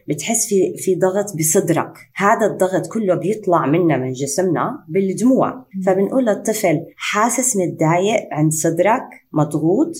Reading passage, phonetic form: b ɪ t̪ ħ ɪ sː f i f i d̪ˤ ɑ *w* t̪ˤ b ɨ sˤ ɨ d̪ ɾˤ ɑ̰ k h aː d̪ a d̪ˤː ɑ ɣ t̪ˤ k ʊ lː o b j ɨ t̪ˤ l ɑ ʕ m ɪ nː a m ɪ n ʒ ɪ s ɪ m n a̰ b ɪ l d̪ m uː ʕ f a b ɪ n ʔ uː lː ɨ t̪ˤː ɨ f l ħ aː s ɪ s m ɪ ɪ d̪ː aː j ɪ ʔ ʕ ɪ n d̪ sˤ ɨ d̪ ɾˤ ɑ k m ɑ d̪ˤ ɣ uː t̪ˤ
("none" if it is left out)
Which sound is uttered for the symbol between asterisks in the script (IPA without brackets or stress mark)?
ɣ